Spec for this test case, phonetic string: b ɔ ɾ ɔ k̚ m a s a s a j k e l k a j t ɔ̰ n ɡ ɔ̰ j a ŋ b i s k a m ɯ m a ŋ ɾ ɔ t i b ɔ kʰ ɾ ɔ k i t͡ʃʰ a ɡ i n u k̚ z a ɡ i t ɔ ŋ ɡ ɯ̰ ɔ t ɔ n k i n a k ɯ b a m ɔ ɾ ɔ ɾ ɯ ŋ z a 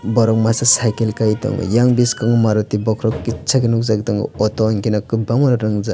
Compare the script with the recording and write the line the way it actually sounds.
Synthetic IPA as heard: b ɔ ɾ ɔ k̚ m a s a s a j k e l k a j t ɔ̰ ŋ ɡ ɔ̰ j a ŋ b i s k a ŋ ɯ m a ɾ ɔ t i b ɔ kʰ ɾ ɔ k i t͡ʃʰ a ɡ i n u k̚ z a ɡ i t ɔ ŋ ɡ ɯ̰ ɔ t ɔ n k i n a k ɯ b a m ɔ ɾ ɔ ɾ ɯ ŋ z a